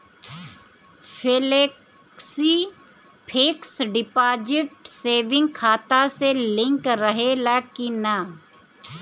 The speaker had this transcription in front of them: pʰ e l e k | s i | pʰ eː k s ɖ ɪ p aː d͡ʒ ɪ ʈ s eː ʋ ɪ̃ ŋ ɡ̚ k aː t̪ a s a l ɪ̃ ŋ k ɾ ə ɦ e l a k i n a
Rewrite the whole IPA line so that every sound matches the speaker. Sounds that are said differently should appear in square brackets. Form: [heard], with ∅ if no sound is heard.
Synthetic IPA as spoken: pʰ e l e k | s i | pʰ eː k s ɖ ɪ p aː d͡ʒ ɪ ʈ s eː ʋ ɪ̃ ŋ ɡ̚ [kʰ] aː t̪ a s [e] l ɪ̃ ŋ k ɾ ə ɦ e l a k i n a